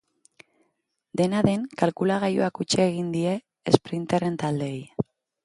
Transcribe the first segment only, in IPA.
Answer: d̪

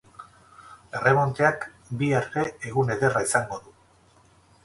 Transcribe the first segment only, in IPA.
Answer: e̞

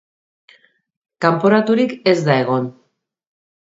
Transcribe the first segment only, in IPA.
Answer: k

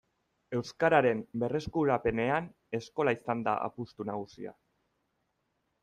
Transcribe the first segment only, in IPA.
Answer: e̞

